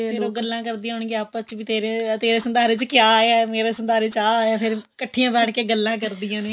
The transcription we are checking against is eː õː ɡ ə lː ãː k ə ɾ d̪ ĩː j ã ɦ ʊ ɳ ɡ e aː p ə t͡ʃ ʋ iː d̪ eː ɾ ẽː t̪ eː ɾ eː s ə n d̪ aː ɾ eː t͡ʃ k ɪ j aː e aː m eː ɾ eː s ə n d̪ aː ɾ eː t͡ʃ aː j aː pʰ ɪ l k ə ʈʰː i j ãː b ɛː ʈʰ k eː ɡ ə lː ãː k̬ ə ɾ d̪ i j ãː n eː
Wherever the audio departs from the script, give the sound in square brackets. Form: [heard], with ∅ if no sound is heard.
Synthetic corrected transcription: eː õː ɡ ə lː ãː k ə ɾ d̪ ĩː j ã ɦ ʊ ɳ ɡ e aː p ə t͡ʃ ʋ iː [t̪] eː ɾ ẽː t̪ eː ɾ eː s ə n d̪ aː ɾ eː t͡ʃ k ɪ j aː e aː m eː ɾ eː s ə n d̪ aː ɾ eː t͡ʃ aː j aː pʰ ɪ [ɾ] k ə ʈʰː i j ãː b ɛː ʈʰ k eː ɡ ə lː ãː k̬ ə ɾ d̪ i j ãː n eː